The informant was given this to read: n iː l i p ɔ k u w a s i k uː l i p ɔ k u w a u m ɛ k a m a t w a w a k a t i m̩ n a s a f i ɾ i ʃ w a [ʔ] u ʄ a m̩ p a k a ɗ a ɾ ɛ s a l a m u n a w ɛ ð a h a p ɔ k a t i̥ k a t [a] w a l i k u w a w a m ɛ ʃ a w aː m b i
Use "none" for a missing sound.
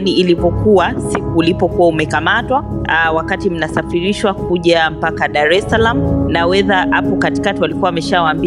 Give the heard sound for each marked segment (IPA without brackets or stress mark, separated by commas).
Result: k, i